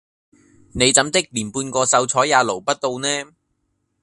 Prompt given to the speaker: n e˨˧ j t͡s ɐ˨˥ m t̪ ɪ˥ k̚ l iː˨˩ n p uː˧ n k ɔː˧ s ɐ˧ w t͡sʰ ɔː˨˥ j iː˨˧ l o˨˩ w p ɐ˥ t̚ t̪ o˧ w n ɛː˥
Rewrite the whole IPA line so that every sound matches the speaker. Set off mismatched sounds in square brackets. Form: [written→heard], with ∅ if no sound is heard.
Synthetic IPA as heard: n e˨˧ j t͡s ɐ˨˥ m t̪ ɪ˥ k̚ l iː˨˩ n p uː˧ n k ɔː˧ s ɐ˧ w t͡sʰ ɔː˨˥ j [iː˨˧→aː˨˧] l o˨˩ w p ɐ˥ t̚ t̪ o˧ w n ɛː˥